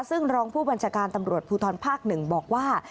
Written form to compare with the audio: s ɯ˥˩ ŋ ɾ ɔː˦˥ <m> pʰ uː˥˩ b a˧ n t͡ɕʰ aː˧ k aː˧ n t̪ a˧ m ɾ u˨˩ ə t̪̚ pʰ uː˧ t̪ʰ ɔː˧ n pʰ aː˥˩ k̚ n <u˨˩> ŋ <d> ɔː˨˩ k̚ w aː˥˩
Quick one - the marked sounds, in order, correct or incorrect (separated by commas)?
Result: incorrect, incorrect, incorrect